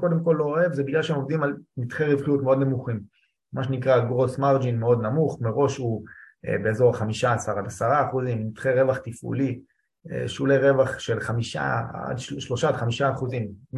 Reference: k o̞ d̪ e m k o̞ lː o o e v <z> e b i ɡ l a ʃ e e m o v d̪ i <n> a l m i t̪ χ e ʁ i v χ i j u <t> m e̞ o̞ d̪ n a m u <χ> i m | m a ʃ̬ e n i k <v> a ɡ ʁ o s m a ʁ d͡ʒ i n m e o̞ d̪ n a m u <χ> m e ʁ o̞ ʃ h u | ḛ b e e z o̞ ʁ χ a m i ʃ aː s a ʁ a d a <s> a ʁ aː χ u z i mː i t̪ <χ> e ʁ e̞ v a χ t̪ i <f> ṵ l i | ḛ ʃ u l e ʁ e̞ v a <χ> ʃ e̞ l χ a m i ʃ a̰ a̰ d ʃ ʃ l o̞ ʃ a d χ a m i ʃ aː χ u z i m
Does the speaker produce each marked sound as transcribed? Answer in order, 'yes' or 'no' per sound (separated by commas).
yes, no, yes, yes, no, yes, yes, yes, yes, yes